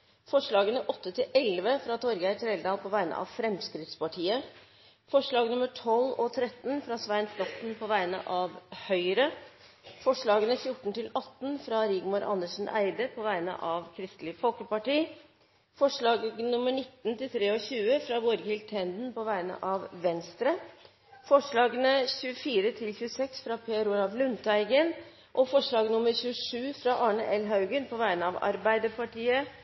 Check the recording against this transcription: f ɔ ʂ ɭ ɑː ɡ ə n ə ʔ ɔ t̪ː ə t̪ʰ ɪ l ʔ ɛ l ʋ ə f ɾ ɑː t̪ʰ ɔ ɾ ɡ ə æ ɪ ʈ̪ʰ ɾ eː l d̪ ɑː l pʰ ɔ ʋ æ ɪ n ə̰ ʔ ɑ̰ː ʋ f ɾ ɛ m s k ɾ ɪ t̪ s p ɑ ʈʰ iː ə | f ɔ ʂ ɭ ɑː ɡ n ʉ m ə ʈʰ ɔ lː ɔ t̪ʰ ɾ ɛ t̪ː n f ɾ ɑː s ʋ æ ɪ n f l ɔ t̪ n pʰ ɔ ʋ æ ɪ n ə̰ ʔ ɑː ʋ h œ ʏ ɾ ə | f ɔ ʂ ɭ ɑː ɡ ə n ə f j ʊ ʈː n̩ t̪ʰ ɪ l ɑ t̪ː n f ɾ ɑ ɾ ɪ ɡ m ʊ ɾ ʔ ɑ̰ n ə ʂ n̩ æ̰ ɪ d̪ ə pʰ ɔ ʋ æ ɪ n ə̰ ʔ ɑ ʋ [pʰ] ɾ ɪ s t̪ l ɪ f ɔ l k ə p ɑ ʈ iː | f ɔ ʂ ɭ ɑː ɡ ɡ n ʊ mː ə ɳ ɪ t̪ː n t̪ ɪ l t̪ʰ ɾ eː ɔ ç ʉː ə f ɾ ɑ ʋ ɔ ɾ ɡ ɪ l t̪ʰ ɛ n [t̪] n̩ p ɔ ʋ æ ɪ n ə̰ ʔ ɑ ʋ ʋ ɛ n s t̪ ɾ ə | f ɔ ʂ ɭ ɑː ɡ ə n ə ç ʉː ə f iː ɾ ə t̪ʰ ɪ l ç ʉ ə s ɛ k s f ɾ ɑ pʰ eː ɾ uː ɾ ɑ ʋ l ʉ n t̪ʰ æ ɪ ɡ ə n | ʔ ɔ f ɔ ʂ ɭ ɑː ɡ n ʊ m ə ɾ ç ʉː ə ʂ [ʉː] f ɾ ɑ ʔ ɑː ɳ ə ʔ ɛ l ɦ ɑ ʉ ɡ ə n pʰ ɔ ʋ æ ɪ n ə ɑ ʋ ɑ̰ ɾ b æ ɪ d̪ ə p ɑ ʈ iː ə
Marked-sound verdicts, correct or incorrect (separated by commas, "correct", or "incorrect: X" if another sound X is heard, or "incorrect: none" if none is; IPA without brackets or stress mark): incorrect: kʰ, incorrect: d̪, correct